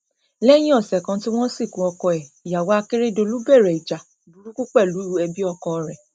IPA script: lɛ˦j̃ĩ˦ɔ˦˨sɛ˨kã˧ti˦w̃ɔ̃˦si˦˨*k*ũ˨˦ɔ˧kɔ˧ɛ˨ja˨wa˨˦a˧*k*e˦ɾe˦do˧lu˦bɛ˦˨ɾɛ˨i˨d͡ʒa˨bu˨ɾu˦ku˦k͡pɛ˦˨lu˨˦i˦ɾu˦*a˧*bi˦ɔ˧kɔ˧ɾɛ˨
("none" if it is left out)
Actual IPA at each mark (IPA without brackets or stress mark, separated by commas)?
k, k, ɛ˧